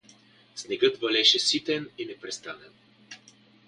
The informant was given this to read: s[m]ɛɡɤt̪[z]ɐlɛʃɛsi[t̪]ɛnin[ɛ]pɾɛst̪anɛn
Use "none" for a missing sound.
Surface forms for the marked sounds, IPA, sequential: n, v, t̪, ɛ

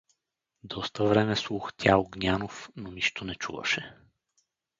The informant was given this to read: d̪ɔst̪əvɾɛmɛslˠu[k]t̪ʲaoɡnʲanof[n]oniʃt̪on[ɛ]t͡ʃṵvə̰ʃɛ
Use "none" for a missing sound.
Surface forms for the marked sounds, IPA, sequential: x, n, ɛ

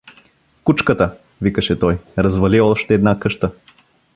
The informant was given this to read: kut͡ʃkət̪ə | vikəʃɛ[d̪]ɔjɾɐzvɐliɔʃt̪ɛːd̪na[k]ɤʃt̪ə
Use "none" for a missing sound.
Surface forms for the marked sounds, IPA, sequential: t̪, k

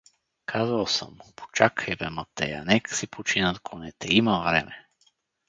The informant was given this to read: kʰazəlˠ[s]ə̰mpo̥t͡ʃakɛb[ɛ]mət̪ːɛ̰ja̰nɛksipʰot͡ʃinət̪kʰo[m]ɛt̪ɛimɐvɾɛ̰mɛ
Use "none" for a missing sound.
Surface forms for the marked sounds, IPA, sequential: s, ɛ, n

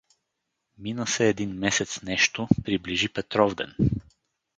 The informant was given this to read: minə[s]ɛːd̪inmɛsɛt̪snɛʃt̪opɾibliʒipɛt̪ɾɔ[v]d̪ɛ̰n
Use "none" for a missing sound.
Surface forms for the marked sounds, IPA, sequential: s, v

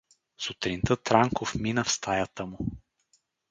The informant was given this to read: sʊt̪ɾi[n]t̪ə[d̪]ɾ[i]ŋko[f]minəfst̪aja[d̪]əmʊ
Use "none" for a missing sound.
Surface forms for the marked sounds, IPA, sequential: n, t̪, a, f, t̪

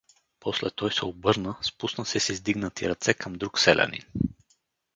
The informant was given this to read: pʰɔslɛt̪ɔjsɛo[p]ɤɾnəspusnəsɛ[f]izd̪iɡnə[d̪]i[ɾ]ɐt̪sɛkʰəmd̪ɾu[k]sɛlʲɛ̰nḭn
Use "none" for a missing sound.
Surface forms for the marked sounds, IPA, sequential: b, s, t̪, ɾ, k

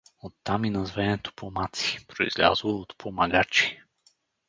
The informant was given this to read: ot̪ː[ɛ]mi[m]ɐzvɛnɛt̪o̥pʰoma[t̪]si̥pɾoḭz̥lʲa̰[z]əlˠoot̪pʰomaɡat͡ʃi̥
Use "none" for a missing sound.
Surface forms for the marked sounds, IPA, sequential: a, n, t̪, z

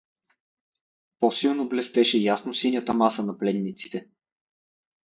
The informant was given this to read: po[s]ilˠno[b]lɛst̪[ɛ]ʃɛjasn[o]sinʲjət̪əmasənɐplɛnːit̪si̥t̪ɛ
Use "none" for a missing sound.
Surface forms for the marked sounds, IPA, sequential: s, b, ɛ, o

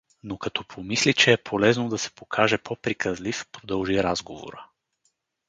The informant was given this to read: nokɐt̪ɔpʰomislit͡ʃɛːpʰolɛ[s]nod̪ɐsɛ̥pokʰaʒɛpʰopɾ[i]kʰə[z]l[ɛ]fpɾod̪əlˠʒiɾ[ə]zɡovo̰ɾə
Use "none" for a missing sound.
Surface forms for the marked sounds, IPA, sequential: z, i, z, i, a

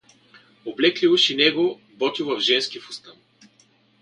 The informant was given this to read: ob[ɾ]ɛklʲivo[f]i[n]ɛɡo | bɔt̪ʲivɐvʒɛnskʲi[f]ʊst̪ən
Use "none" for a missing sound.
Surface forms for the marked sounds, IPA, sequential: l, ʃ, n, f

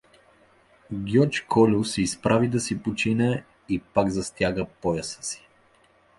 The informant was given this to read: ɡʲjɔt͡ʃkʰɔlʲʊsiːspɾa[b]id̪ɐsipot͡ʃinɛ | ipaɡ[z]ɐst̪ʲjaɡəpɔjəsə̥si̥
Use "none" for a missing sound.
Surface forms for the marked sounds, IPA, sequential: v, z

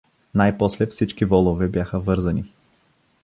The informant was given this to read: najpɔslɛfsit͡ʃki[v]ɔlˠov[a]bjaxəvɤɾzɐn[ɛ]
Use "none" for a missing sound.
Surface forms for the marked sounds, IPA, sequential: v, ɛ, i

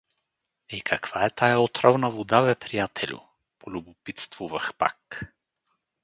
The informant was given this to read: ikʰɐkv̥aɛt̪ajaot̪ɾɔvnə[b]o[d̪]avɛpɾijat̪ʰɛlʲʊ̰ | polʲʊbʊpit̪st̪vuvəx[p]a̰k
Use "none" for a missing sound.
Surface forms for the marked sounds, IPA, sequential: v, d̪, p

